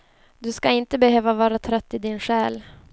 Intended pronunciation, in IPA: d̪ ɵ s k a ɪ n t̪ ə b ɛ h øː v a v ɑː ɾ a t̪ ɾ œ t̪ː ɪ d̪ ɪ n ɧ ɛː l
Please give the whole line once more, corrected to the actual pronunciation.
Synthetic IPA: d̪ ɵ s k a ɪ n t̪ ə b ɛ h øː v a v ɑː ɾ a t̪ʰ ɾ œ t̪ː ɪ d̪ ɪ n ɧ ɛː l